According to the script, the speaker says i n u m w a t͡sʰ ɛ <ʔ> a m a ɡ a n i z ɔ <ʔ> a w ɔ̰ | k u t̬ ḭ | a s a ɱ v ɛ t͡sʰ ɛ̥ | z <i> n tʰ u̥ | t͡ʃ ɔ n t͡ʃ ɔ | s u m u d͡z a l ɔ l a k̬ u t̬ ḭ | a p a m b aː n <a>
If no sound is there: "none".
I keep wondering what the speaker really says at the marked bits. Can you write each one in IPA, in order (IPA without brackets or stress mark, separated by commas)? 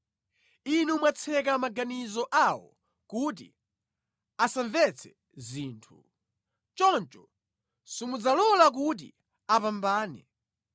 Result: k, ʔ, iː, ɛ